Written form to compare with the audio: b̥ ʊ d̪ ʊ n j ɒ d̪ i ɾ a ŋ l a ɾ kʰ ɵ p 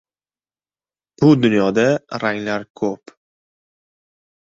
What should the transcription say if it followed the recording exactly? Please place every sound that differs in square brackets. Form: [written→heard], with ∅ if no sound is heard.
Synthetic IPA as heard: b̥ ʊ d̪ ʊ n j ɒ d̪ [i→a] ɾ a ŋ l a ɾ kʰ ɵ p